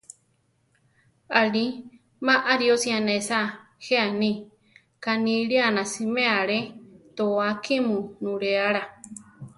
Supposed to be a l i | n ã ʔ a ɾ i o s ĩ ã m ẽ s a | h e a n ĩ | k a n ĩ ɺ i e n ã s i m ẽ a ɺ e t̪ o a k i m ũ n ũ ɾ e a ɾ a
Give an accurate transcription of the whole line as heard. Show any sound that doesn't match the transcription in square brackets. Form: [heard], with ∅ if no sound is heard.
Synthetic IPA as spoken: a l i | [m] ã ʔ a ɾ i o s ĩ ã [n] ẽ s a | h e a n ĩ | k a n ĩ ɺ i [a] n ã s i m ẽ a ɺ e t̪ o a k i m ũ n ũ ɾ e a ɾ a